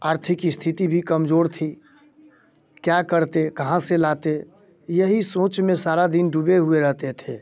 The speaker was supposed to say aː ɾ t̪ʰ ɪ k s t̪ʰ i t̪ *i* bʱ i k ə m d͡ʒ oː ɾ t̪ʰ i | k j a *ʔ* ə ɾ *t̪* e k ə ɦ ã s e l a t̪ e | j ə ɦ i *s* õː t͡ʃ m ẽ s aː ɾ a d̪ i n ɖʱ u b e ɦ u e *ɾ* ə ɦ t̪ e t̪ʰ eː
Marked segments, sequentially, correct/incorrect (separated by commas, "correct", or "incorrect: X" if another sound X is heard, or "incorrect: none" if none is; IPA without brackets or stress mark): correct, incorrect: k, correct, correct, correct